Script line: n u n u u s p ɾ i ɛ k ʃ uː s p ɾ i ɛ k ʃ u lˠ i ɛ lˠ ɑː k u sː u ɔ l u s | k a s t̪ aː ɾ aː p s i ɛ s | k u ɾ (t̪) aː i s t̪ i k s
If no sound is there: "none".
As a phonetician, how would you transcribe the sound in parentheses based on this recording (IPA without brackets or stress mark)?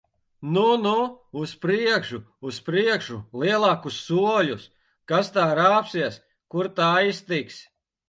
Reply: t̪